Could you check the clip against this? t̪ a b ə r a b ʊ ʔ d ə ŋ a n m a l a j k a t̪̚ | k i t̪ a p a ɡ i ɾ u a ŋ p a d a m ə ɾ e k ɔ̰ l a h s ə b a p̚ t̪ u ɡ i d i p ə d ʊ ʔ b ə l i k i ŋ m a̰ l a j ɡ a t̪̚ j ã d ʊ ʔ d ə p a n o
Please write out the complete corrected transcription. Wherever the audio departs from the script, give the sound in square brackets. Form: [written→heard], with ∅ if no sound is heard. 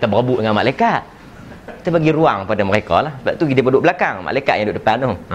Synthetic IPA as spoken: t̪ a b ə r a b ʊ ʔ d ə ŋ a n m a l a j k a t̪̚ | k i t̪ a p a ɡ i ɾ u a ŋ p a d a m ə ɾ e k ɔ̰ l a h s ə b a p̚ t̪ u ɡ i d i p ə d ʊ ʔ b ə l [i→a] k [i→a] ŋ m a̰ l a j [ɡ→k] a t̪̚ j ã d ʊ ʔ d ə p a n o